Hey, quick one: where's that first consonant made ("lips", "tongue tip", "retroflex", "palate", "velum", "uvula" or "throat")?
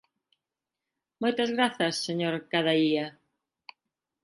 lips